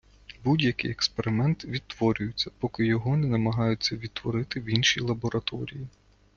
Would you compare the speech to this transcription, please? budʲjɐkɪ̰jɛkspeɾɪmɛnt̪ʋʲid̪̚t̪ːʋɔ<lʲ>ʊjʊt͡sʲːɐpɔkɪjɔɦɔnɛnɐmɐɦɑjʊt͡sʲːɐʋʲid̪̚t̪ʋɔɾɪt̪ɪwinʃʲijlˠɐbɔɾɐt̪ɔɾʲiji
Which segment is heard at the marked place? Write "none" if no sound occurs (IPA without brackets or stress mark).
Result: ɾʲ